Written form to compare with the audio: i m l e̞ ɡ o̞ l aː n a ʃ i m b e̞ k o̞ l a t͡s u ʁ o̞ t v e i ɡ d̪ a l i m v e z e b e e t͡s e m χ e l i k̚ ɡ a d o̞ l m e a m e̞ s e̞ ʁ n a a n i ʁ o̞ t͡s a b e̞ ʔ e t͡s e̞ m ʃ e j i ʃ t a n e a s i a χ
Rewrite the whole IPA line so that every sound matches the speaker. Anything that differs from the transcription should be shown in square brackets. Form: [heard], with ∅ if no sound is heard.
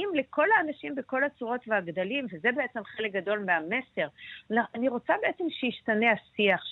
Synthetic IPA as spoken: i m l e̞ [k] o̞ l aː n a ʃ i m b e̞ k o̞ l a t͡s u ʁ o̞ t v e [a] ɡ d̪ a l i m v e z e b e e t͡s e m χ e l [e] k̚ ɡ a d o̞ l m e a m e̞ s e̞ ʁ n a a n i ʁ o̞ t͡s a b e̞ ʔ e t͡s e̞ m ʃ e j i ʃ t a n e a s i a χ